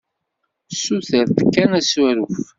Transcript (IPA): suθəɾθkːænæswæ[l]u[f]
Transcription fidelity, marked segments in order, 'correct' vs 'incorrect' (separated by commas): incorrect, correct